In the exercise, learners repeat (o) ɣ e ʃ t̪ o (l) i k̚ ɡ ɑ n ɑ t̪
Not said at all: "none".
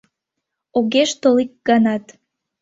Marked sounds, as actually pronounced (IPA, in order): o, l

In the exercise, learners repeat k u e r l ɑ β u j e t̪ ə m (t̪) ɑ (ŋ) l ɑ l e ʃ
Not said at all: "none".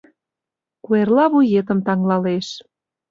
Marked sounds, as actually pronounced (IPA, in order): t̪, ŋ

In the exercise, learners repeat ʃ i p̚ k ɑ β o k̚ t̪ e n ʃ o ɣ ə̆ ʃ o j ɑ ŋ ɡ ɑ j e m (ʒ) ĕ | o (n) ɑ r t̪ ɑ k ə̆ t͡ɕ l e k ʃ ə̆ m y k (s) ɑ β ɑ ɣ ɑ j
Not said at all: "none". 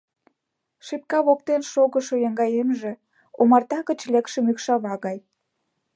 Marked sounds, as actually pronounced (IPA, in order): ʒ, m, ʃ

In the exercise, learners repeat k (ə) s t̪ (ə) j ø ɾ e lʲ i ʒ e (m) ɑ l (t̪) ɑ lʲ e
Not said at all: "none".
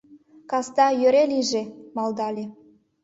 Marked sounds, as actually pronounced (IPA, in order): ɑ, ɑ, m, d̪

